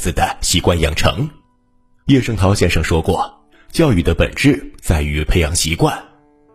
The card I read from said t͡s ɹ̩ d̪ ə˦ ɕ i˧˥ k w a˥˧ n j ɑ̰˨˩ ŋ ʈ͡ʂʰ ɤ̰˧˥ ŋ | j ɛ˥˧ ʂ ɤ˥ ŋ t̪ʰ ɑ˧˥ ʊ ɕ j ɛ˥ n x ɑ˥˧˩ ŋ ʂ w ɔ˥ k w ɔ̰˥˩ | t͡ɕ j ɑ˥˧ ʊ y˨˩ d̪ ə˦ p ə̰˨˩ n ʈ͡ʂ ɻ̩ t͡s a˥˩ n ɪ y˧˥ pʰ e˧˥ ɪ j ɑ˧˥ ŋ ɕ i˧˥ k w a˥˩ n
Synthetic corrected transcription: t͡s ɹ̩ d̪ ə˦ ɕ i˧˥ k w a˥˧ n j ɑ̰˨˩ ŋ ʈ͡ʂʰ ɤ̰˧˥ ŋ | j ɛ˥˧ ʂ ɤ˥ ŋ t̪ʰ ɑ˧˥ ʊ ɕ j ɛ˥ n ʂ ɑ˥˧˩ ŋ ʂ w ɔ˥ k w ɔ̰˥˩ | t͡ɕ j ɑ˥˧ ʊ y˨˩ d̪ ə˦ p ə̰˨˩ n ʈ͡ʂ ɻ̩ t͡s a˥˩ ɪ y˧˥ pʰ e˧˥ ɪ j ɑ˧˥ ŋ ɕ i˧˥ k w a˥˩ n